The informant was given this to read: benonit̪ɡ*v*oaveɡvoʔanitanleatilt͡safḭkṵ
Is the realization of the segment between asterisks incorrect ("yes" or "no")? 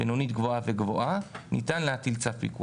no